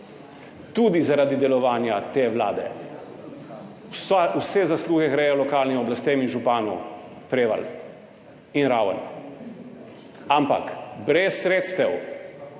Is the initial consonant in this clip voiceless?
yes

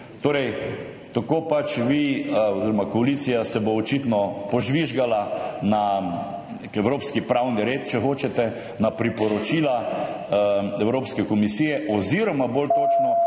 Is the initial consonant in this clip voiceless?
yes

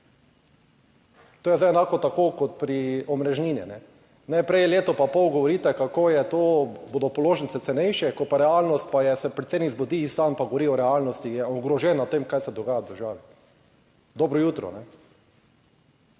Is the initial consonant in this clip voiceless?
yes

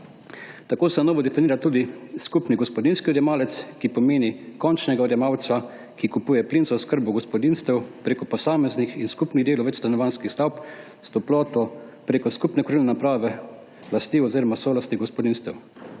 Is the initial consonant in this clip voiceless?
yes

